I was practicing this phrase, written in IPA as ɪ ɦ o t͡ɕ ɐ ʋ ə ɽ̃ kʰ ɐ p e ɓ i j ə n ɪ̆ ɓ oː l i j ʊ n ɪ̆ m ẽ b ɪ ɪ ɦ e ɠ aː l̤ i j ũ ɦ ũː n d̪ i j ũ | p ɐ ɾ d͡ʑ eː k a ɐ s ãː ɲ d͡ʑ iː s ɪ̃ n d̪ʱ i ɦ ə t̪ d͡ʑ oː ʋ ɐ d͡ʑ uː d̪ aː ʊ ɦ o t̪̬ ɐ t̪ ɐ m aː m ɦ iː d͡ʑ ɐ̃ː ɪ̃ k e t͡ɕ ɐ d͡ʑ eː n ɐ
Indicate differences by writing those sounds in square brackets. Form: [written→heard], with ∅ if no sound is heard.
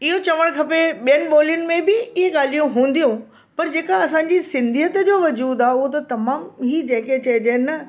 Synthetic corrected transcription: ɪ ɦ o t͡ɕ ɐ ʋ ə ɽ̃ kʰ ɐ p e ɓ i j ə n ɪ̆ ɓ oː l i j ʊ n ɪ̆ m ẽ b ɪ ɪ ɦ e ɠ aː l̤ i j ũ ɦ ũː n d̪ i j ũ | p ɐ ɾ d͡ʑ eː k a ɐ s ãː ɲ d͡ʑ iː s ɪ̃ n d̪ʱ i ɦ ə t̪ d͡ʑ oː ʋ ɐ d͡ʑ uː d̪ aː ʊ ɦ o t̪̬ ɐ t̪ ɐ m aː m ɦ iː d͡ʑ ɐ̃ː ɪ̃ k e t͡ɕ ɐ d͡ʑ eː n ɐ